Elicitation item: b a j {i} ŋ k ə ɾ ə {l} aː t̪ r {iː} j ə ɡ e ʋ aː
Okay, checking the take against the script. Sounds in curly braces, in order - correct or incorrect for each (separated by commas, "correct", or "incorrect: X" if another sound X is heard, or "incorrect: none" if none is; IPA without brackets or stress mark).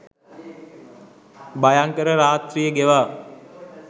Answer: incorrect: a, incorrect: ɾ, incorrect: i